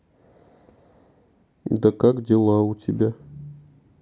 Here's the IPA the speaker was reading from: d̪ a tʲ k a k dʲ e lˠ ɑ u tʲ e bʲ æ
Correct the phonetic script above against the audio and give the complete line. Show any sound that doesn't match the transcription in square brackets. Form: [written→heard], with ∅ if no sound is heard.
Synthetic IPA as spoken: d̪ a [tʲ→∅] k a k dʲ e lˠ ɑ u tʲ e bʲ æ